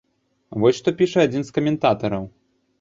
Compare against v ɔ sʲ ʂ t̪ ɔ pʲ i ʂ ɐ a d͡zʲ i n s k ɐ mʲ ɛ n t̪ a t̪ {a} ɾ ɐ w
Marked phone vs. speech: incorrect: ɐ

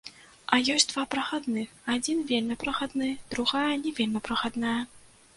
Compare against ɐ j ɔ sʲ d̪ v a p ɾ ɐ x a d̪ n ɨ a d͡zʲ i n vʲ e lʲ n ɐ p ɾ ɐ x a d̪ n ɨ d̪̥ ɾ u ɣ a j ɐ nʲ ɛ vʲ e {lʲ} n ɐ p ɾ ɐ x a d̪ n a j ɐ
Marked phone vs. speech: correct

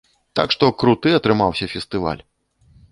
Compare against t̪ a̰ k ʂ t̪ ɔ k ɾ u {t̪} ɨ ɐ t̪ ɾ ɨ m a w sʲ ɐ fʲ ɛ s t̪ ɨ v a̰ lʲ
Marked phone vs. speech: correct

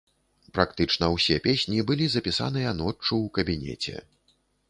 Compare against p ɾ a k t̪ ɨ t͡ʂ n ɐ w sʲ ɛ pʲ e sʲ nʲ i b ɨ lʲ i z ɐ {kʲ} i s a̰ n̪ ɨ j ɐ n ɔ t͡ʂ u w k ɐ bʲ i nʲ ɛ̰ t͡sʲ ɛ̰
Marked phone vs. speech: incorrect: pʲ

